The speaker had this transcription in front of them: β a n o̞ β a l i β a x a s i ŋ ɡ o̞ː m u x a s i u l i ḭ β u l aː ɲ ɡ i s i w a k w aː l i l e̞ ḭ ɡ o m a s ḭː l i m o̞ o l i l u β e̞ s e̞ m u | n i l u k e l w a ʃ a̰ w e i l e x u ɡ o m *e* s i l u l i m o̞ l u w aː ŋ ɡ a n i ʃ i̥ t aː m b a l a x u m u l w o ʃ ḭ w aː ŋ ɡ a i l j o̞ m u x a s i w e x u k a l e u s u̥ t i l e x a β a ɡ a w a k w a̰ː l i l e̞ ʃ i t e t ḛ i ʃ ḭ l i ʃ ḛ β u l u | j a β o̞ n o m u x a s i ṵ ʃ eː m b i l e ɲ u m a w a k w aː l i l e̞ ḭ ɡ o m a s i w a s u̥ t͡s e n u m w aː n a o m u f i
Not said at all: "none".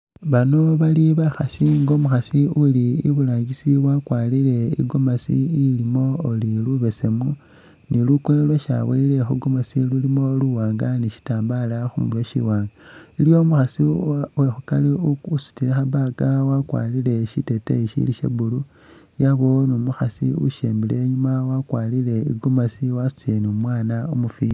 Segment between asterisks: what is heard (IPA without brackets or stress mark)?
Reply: a